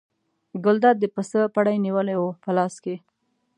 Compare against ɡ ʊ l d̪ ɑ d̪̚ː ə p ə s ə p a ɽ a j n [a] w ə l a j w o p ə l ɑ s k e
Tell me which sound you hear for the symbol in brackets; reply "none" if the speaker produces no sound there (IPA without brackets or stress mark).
i